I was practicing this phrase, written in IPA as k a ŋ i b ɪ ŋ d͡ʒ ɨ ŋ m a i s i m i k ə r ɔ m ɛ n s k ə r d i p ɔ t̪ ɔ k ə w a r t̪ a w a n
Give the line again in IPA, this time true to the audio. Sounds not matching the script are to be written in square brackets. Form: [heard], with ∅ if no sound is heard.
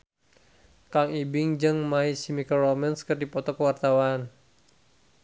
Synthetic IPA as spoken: k a ŋ i b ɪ ŋ d͡ʒ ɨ ŋ m a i s i m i k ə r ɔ m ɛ n s k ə r d i p ɔ t̪ ɔ k ə w a r t̪ a w a n